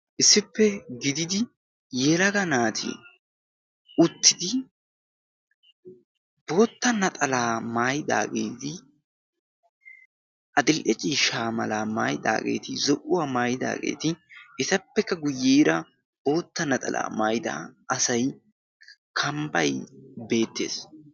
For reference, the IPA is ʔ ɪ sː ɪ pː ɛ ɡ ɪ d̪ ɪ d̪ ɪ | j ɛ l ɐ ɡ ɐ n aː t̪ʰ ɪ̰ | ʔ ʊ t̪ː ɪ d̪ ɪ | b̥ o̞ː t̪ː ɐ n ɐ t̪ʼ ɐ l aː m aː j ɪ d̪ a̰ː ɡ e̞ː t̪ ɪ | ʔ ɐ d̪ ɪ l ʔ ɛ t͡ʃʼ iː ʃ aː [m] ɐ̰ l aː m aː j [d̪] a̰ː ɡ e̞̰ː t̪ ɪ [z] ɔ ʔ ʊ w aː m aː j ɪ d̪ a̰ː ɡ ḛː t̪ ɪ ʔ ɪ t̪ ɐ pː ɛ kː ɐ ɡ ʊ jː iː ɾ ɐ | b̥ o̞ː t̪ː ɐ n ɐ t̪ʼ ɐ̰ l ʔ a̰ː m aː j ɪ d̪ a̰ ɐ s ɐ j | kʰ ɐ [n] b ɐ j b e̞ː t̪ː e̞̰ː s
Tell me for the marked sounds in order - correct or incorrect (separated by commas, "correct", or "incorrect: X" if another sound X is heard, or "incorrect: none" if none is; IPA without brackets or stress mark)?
correct, correct, correct, incorrect: m